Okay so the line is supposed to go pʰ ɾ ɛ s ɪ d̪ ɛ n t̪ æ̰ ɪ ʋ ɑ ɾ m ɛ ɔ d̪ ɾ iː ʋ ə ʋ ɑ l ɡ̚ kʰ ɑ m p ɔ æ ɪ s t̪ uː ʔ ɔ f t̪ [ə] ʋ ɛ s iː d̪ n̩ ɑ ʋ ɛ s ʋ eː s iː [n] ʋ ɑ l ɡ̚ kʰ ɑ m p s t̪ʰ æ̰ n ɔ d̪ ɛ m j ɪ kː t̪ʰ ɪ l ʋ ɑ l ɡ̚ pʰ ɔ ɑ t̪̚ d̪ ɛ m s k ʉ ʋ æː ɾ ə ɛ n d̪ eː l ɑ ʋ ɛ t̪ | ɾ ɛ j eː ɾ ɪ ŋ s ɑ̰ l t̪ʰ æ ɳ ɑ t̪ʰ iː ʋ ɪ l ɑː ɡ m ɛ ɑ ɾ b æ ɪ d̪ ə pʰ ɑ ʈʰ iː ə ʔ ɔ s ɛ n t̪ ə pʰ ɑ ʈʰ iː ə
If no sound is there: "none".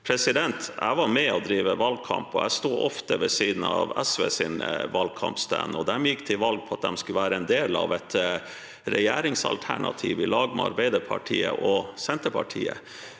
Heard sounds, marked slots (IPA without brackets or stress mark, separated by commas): ə, n